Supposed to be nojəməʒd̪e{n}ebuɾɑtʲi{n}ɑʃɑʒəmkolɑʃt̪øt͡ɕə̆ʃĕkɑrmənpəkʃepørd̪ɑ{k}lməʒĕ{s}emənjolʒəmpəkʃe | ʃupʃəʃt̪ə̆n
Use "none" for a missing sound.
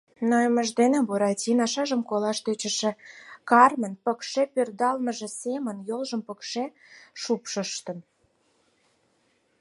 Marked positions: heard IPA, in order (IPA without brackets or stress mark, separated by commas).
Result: n, n, none, s